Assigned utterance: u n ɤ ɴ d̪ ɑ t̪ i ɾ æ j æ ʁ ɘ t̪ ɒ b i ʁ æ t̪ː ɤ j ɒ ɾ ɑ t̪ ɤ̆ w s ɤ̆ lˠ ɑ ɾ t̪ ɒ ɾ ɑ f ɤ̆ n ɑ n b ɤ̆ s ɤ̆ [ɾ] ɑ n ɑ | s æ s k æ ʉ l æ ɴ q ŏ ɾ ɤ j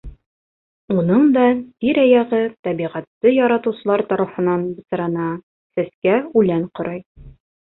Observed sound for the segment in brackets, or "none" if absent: ɾ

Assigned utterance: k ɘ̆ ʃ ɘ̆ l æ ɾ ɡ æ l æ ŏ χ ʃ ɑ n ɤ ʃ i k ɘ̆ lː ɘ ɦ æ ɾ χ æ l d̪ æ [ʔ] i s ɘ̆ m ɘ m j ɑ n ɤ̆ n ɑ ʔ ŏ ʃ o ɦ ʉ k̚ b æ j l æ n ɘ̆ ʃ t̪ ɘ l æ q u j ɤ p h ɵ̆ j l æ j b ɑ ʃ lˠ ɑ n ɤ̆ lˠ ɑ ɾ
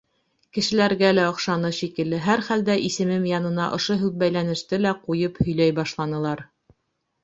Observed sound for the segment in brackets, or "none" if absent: ʔ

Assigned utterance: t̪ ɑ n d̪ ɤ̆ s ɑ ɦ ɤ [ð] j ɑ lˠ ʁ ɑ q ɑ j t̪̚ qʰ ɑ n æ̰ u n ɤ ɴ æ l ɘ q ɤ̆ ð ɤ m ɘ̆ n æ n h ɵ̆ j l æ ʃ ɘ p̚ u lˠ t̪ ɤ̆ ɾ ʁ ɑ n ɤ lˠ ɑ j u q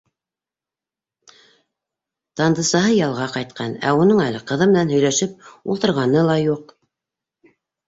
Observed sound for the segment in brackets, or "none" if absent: none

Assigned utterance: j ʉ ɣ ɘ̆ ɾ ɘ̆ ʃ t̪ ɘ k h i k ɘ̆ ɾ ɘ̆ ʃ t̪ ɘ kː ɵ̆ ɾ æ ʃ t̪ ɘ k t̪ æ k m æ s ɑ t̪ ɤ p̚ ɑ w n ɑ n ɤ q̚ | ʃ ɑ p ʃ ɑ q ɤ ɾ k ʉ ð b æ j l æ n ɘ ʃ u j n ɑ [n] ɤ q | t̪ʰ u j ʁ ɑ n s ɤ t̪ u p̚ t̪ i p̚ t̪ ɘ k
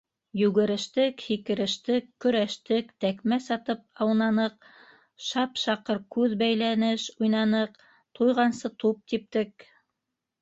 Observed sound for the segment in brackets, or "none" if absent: n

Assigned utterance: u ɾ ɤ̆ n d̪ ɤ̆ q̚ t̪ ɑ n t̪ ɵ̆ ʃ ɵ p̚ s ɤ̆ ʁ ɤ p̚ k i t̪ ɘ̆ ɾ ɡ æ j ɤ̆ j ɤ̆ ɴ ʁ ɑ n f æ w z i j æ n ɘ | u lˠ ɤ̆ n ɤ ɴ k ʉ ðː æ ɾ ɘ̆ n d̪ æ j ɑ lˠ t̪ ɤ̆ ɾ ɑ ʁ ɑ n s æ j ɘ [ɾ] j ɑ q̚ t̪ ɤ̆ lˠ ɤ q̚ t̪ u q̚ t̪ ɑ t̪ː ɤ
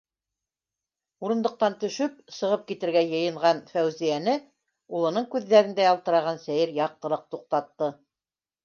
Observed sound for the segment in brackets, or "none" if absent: ɾ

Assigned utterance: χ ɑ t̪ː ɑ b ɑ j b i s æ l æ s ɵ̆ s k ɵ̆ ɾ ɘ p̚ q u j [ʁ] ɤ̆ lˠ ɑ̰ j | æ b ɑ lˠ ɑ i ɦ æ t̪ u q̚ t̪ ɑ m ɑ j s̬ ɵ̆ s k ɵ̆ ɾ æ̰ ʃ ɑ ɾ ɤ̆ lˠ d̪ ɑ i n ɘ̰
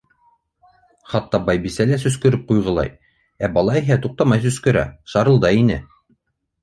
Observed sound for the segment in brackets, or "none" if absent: ʁ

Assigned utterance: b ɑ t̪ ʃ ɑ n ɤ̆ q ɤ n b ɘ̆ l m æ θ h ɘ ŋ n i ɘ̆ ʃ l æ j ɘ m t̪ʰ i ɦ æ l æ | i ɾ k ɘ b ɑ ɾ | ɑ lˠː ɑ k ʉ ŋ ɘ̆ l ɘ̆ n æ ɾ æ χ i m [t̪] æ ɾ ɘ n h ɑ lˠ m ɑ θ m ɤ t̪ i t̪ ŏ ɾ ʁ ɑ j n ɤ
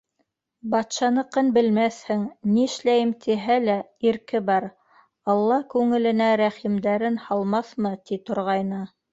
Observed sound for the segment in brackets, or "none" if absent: d̪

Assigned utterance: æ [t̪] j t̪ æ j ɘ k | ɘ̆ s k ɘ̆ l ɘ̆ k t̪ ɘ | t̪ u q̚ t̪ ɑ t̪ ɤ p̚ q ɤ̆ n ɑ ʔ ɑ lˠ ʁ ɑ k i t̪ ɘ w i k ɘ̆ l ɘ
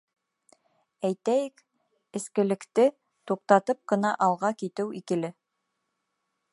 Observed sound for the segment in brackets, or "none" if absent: none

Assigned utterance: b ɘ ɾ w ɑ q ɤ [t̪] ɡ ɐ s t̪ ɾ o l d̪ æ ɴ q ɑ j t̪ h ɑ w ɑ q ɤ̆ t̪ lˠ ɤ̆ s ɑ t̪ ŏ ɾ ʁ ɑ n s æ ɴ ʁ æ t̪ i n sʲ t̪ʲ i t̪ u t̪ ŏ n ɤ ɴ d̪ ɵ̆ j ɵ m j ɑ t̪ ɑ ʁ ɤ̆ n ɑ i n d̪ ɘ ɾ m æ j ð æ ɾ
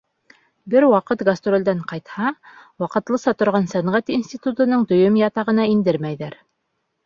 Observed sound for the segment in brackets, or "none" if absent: t̪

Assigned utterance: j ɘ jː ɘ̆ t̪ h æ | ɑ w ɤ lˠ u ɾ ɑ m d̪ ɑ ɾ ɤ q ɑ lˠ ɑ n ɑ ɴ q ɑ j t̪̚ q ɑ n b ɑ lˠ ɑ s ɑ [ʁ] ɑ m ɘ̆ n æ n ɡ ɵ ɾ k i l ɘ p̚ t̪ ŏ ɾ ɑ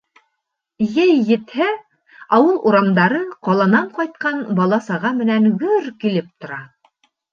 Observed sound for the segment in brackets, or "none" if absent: ʁ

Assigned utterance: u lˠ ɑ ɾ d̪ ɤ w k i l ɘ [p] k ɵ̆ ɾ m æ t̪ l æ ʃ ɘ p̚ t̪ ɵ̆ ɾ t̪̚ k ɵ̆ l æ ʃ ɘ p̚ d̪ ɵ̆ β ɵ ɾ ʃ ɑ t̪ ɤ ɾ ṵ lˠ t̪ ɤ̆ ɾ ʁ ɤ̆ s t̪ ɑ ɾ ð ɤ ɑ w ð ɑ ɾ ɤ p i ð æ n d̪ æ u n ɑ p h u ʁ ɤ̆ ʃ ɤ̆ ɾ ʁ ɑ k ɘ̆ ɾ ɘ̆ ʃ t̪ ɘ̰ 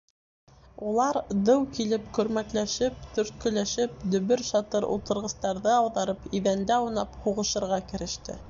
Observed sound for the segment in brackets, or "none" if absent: p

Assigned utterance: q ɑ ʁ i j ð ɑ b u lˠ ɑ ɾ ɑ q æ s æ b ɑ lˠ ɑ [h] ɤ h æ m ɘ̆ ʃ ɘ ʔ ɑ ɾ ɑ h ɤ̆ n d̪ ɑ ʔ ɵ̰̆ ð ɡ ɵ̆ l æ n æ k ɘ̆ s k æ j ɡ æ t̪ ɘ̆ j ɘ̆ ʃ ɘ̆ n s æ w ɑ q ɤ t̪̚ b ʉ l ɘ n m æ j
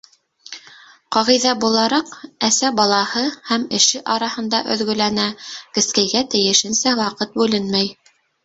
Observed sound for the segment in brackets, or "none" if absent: h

